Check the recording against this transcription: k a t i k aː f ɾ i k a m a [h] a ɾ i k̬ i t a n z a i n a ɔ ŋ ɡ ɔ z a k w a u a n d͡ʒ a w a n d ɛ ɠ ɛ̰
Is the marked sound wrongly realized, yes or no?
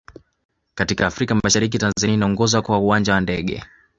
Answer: yes